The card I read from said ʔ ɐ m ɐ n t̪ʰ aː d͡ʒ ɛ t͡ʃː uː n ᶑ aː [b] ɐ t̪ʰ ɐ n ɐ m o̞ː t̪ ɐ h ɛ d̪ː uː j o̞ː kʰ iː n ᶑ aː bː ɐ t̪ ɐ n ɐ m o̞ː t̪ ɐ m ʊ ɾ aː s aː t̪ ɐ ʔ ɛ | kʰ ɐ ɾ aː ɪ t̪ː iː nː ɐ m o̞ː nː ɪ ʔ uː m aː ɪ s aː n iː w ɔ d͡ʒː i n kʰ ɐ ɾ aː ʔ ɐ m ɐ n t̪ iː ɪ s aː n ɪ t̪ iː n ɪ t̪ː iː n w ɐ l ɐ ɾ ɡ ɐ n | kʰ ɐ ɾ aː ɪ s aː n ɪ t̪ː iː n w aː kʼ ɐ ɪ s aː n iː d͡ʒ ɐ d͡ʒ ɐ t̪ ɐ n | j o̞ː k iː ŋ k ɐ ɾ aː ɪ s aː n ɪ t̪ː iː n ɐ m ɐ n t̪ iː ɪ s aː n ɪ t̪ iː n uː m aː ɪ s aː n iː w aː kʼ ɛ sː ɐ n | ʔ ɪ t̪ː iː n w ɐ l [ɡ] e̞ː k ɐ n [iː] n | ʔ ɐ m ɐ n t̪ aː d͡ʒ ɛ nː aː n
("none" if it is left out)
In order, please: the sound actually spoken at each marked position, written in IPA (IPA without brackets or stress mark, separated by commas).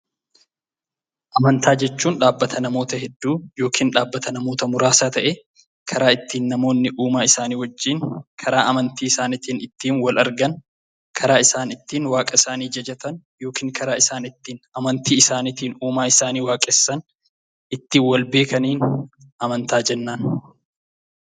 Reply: bː, b, iː